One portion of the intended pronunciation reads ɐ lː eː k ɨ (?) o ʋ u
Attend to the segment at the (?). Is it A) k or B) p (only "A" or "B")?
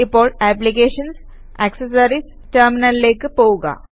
B